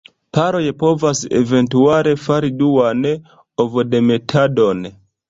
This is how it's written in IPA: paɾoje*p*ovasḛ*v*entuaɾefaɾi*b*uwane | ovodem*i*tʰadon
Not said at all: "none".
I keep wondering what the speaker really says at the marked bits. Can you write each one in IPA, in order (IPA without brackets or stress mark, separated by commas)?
p, v, d, e